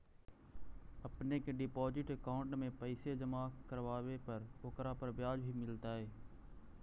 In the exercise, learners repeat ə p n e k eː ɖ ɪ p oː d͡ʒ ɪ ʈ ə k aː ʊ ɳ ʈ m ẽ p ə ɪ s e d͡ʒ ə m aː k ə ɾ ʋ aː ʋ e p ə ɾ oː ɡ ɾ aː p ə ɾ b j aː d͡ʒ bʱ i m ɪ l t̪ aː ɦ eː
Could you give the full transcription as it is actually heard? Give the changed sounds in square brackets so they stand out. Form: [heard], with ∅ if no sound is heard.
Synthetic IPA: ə p n e k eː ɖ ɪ p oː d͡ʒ ɪ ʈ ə k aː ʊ ɳ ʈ m ẽ p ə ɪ s e d͡ʒ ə m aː k ə ɾ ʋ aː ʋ e p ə ɾ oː [k] ɾ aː p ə ɾ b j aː d͡ʒ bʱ i m ɪ l t̪ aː ɦ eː